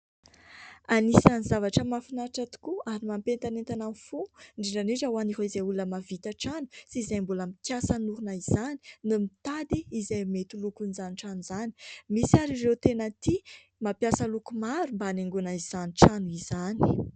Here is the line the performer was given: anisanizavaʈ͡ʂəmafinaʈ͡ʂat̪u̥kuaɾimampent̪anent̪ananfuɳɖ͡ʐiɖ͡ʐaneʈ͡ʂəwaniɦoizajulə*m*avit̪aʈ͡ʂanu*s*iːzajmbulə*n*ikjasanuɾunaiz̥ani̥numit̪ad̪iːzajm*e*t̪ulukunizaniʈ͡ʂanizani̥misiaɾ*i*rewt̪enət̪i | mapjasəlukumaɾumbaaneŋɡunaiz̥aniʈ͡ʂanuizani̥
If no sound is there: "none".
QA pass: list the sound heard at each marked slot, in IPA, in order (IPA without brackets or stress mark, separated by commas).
m, s, m, e, i